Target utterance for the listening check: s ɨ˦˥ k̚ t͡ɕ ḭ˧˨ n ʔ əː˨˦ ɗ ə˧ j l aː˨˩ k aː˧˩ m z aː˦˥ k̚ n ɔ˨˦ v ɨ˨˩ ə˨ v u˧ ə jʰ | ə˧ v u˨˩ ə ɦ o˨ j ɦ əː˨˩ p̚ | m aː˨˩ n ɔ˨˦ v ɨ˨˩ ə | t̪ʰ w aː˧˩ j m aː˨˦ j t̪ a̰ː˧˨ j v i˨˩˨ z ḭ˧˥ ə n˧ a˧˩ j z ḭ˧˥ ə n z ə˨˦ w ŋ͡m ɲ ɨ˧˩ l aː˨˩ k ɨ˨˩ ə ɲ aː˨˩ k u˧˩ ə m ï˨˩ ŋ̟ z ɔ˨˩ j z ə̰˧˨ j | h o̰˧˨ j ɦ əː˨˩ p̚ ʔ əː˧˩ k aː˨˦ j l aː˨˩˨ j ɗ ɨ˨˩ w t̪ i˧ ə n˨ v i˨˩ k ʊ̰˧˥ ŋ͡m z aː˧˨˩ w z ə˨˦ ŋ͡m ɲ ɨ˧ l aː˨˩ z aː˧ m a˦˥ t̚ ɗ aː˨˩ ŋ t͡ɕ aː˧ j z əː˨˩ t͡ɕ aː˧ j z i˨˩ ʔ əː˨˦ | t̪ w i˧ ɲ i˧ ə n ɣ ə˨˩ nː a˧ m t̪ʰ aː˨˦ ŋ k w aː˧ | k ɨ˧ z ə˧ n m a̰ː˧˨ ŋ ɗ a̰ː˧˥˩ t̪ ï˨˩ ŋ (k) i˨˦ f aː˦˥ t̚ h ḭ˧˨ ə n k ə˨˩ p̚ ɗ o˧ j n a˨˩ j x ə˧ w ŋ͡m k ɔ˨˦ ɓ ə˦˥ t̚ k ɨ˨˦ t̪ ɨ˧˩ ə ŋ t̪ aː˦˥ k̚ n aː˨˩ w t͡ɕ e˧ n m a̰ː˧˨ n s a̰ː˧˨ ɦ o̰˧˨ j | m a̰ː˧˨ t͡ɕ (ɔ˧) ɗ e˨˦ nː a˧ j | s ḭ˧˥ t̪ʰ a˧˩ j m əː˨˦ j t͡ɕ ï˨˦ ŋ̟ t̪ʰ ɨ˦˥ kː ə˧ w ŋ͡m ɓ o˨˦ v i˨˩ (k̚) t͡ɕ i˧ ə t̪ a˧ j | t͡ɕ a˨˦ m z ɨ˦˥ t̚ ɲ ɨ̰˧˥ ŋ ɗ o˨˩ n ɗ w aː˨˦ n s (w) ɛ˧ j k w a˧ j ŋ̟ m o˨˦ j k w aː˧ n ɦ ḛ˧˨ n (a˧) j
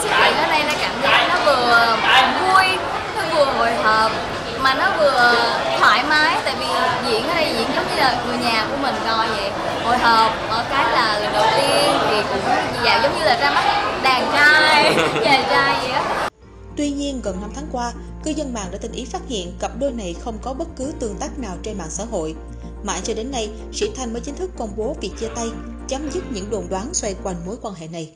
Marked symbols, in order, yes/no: no, yes, yes, yes, no

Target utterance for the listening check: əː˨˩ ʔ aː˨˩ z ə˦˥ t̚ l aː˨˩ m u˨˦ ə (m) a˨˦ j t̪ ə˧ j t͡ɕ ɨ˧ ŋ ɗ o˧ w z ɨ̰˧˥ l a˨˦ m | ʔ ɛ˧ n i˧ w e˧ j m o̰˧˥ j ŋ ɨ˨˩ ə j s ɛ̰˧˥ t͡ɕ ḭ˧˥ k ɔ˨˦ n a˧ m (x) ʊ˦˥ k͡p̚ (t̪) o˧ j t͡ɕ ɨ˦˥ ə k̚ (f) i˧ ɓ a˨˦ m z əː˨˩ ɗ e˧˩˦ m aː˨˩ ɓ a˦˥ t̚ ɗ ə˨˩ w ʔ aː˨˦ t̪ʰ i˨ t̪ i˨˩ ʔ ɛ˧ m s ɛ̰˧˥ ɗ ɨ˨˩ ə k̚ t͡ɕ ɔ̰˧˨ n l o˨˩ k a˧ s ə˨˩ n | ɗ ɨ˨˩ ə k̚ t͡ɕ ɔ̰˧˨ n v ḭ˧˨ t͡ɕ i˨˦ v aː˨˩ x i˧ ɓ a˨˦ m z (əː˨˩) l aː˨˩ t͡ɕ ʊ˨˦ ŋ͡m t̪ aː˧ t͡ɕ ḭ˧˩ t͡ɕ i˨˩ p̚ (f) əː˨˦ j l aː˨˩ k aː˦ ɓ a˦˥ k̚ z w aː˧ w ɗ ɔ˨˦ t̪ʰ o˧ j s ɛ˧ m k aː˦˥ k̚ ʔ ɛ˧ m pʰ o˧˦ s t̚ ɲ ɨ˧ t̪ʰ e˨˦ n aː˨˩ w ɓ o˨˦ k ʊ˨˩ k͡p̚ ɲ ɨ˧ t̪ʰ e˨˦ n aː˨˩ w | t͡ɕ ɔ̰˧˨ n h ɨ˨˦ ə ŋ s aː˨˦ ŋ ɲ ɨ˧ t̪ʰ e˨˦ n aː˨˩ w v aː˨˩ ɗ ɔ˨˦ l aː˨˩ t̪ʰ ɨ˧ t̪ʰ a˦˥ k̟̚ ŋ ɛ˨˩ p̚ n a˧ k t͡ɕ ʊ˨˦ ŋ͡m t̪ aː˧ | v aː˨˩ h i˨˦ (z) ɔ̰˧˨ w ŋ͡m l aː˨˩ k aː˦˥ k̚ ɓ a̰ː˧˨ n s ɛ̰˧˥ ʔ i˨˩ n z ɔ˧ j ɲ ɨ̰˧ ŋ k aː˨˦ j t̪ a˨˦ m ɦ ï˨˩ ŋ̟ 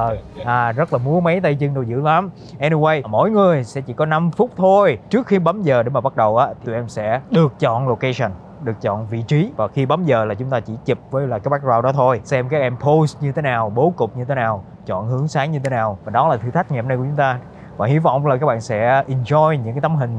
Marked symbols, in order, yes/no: yes, no, no, no, yes, no, no

